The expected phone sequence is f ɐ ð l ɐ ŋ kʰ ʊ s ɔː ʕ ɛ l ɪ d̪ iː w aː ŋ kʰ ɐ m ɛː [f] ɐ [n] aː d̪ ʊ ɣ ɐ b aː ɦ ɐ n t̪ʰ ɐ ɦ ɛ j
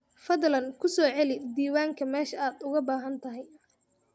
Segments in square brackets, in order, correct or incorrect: incorrect, incorrect

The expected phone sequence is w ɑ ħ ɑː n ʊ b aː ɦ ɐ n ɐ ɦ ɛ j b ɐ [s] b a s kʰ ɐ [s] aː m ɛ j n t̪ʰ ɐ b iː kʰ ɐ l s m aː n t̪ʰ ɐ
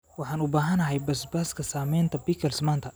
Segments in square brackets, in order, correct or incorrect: correct, correct

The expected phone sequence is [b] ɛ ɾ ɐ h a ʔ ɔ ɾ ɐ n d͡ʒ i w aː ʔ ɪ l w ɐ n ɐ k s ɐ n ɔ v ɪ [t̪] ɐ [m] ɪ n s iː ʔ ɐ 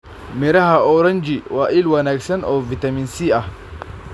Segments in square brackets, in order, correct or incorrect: incorrect, correct, correct

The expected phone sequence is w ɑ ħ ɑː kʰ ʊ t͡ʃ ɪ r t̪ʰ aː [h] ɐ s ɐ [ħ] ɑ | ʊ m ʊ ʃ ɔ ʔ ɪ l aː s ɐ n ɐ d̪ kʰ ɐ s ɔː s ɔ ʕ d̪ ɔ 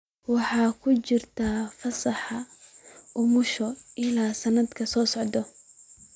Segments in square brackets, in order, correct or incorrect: incorrect, correct

